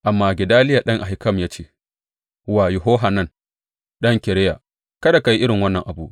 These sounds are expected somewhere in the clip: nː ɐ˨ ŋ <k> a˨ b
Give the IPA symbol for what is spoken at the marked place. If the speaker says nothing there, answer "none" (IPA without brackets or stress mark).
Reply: ʔ